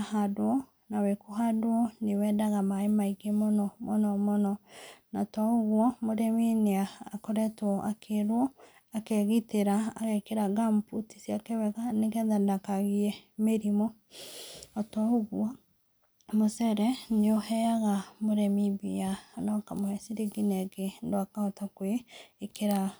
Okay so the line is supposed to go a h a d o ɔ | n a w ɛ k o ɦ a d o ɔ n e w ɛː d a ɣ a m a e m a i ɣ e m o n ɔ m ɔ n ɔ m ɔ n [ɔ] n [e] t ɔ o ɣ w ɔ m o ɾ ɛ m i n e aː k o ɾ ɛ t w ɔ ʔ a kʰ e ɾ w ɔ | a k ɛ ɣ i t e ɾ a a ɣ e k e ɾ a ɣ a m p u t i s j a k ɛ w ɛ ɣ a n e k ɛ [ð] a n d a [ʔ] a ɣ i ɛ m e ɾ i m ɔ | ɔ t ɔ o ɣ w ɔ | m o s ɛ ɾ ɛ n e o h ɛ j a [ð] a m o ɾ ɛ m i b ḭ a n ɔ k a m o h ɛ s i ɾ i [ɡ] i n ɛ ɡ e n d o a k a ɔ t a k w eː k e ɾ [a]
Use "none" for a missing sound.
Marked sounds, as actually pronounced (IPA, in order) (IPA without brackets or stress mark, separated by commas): ɔ, a, ð, k, ɣ, ɡ, a